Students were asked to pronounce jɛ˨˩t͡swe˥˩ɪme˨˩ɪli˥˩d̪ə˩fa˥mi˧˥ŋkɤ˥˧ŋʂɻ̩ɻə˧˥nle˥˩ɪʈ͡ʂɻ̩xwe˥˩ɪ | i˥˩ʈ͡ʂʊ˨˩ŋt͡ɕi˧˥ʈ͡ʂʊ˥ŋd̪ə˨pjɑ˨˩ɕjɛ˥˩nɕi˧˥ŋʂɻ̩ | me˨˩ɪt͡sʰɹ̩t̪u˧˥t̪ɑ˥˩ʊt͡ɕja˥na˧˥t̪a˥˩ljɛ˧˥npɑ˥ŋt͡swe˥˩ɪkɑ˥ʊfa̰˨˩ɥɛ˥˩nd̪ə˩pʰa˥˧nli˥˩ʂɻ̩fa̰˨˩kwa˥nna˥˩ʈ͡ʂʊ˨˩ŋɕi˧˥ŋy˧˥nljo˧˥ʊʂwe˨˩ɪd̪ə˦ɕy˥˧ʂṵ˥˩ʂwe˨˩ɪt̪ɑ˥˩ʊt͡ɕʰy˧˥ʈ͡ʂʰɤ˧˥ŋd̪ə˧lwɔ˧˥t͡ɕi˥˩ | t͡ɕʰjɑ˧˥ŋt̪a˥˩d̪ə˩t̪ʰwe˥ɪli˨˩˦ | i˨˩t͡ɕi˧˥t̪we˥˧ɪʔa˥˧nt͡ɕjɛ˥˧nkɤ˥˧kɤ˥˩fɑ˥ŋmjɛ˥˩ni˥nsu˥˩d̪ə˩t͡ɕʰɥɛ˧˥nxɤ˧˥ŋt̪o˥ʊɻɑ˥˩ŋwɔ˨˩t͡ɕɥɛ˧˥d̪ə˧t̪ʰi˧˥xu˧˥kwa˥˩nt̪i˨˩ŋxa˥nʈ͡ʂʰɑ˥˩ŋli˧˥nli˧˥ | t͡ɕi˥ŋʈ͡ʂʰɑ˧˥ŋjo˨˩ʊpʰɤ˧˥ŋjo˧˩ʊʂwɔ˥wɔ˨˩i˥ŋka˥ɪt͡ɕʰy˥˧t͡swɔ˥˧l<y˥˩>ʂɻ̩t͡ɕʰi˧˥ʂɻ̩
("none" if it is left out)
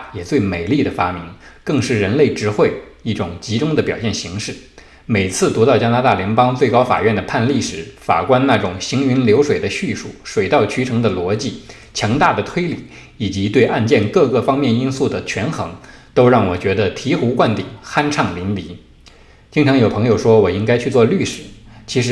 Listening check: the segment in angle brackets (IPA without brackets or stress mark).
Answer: y˥˩